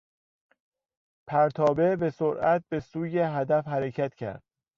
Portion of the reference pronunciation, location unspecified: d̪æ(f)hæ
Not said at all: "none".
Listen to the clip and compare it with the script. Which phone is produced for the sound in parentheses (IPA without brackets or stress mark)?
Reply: f